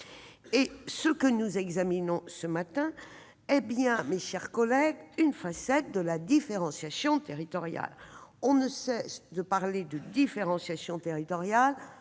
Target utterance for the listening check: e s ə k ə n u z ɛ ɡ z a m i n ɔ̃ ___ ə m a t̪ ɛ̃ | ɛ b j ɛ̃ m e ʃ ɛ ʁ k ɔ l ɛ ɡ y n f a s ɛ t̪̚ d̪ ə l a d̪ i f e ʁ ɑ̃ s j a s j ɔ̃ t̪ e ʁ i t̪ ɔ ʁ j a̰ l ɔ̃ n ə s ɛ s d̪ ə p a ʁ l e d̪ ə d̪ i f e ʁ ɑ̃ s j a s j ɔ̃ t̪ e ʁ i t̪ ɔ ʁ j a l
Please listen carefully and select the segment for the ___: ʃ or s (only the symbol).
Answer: s